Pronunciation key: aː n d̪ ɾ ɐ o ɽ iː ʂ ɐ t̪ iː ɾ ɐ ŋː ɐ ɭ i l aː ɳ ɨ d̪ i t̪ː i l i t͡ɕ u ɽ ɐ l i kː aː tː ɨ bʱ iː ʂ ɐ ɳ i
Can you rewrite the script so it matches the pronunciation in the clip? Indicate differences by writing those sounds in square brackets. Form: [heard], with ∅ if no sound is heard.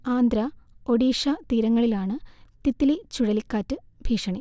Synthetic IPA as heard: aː n d̪ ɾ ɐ o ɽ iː ʂ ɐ t̪ iː ɾ ɐ ŋː ɐ ɭ i l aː ɳ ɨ [t̪] i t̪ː i l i t͡ɕ u ɽ ɐ l i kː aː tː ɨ bʱ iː ʂ ɐ ɳ i